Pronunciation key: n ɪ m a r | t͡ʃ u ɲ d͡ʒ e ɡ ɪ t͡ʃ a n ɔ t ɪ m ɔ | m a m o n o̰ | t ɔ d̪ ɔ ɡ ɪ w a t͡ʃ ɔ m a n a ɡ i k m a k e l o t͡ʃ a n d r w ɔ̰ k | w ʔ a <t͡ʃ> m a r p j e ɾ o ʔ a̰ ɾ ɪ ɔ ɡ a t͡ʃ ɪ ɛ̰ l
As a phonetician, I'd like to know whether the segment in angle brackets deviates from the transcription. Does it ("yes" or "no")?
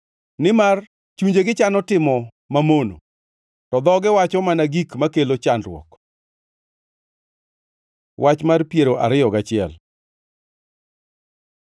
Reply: no